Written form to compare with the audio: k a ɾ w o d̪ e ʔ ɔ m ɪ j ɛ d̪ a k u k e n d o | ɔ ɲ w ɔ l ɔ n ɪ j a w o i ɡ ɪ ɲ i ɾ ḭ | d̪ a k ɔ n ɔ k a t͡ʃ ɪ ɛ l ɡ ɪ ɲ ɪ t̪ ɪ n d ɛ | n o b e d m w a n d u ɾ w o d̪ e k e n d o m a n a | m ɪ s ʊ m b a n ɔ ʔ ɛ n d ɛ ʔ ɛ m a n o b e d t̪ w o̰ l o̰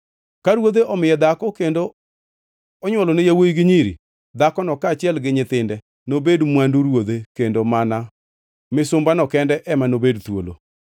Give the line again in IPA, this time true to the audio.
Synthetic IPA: k a ɾ w o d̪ e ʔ ɔ m ɪ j ɛ d̪ a k ɔ k e n d o | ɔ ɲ w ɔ l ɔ n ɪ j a w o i ɡ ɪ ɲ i ɾ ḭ | d̪ a k ɔ n ɔ k a t͡ʃ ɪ ɛ l ɡ ɪ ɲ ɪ t̪ ɪ n d ɛ | n o b e d m w a n d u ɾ w o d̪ e k e n d o m a n a | m ɪ s ʊ m b a n ɔ k ɛ n d ɛ ʔ ɛ m a n o b e d t̪ w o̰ l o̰